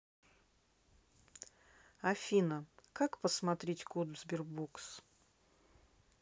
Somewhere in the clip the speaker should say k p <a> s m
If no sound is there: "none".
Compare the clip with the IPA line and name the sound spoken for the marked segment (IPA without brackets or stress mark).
ə